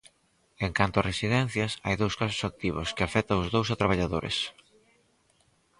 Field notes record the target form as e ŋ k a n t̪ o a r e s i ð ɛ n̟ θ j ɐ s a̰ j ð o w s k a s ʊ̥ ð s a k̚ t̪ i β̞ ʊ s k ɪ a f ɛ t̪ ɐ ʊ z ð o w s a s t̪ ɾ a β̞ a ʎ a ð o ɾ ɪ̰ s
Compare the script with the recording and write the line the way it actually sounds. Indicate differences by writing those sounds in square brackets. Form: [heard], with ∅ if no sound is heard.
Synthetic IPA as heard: e ŋ k a n t̪ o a r e s i ð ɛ n̟ θ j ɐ s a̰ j ð o w s k a s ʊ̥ [∅] s a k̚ t̪ i β̞ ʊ s k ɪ a f ɛ t̪ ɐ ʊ z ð o w s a [∅] t̪ ɾ a β̞ a ʎ a ð o ɾ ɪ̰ s